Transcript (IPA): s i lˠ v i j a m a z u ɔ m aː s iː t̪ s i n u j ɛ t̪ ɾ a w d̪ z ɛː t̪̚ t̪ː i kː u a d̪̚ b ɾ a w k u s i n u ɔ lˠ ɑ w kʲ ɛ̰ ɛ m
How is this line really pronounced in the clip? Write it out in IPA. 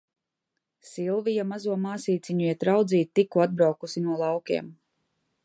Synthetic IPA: s i lˠ v i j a m a z u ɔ m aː s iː t̪ s i ɲ u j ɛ t̪ ɾ a w d̪ z iː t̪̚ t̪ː i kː u a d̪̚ b ɾ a w k u s i n u ɔ lˠ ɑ w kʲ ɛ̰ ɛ m